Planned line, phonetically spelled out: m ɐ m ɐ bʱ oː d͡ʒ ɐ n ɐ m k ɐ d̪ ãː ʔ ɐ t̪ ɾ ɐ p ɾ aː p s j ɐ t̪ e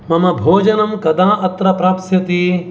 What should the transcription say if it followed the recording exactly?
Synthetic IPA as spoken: m ɐ m ɐ bʱ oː d͡ʒ ɐ n ɐ m k ɐ d̪ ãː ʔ ɐ t̪ ɾ ɐ p ɾ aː p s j ɐ t̪ i